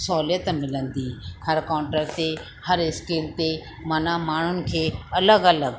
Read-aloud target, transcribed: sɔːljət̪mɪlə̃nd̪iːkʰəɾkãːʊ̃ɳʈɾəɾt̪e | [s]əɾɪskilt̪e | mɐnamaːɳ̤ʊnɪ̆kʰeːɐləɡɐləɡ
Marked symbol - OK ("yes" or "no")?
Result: no